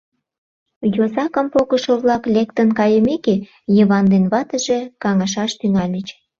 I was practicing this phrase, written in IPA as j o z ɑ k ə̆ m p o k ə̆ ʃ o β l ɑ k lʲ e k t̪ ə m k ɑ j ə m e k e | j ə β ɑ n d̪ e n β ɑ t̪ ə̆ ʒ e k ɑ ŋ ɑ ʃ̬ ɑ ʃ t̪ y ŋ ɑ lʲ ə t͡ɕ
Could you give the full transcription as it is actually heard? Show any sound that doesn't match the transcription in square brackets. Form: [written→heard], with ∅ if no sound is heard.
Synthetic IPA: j o z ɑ k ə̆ m p o k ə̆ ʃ o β l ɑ k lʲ e k t̪ ə [m→n] k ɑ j ə m e k e | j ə β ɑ n d̪ e n β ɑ t̪ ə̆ ʒ e k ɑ ŋ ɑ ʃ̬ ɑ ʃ t̪ y ŋ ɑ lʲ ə t͡ɕ